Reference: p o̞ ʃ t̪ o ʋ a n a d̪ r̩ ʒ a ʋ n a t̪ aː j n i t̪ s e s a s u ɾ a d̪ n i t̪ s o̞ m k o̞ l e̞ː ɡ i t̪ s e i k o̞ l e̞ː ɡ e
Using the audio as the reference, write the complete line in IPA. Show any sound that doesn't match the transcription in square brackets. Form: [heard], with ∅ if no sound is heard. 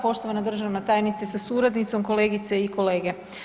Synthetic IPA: p o̞ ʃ t̪ o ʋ a n a d̪ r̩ ʒ a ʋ n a t̪ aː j n i t̪ s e s a s u ɾ a d̪ n i t̪ s o̞ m k o̞ l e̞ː ɡ i t̪ s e i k o̞ l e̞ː ɡ e